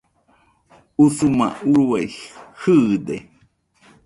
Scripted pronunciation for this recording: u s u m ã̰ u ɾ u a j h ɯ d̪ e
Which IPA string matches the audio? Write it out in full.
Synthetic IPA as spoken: u s u m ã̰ u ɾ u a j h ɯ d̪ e

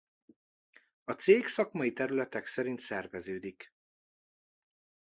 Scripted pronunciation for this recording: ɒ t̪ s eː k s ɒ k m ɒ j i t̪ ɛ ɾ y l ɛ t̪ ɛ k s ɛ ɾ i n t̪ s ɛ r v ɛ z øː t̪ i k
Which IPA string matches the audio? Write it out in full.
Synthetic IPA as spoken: ɒ t̪ s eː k s ɒ k m ɒ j i t̪ ɛ ɾ y l ɛ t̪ ɛ k s ɛ ɾ i n t̪ s ɛ r v ɛ z øː d̪ i k

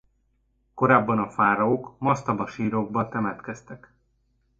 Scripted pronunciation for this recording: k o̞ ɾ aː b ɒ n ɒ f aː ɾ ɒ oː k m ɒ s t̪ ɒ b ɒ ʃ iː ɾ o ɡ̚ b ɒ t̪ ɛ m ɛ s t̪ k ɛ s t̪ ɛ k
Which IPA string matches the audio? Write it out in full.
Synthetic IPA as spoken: k o̞ ɾ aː bː ɒ n ɒ f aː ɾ ɒ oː k m ɒ s t̪ ɒ b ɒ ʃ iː ɾ o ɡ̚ b ɒ t̪ ɛ m ɛ t̪ k ɛ s t̪ ɛ k

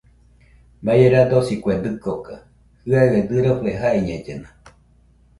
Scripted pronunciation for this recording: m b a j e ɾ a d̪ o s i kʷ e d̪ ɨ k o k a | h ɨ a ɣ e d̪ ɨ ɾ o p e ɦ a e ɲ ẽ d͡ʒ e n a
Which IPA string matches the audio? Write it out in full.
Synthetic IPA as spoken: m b a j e ɾ a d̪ o s i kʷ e d̪ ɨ k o k a | h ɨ a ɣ e d̪ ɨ ɾ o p e ɦ a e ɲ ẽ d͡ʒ e n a

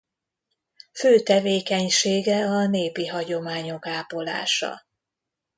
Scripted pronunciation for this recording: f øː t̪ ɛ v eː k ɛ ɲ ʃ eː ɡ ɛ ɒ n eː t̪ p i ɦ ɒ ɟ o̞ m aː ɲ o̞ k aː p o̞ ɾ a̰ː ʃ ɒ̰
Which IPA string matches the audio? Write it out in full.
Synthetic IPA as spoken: f øː t̪ ɛ v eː k ɛ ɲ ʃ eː ɡ ɛ ɒ n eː p i ɦ ɒ ɟ o̞ m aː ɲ o̞ k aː p o̞ l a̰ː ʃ ɒ̰

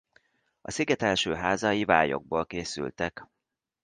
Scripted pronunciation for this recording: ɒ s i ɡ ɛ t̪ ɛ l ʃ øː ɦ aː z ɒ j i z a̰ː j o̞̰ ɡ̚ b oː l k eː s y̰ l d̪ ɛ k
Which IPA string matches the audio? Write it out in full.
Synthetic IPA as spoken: ɒ s i ɡ ɛ t̪ ɛ l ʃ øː ɦ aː z ɒ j i v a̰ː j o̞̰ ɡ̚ b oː l k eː s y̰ l t̪ ɛ k

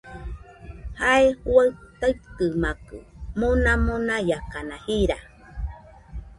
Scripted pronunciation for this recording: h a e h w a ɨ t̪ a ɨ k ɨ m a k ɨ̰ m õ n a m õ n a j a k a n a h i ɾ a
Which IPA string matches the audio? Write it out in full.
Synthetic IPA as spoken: h a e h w a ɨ t̪ a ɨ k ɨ m a k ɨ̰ m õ n a m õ n a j a k a n a h i ɾ a

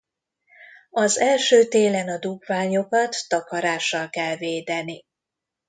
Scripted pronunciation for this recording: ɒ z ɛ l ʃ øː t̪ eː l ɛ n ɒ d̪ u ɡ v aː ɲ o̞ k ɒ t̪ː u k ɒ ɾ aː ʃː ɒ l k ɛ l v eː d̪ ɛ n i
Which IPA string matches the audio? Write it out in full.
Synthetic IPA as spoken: ɒ z ɛ l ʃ øː t̪ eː l ɛ n ɒ d̪ u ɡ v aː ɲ o̞ k ɒ t̪ː ɒ k ɒ ɾ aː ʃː ɒ l k ɛ l v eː d̪ ɛ n i

